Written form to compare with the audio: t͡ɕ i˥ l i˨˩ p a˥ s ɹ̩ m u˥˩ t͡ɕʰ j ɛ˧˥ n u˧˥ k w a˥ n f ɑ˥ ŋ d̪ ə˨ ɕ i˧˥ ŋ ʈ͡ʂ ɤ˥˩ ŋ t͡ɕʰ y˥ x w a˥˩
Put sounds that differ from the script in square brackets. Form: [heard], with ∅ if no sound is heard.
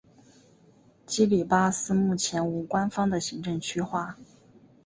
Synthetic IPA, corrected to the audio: t͡ɕ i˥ l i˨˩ p a˥ s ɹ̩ m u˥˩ t͡ɕʰ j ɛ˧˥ n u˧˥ k w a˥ n f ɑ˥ ŋ d̪ ə˨ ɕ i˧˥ ŋ ʈ͡ʂ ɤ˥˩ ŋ t͡ɕʰ y˥ x w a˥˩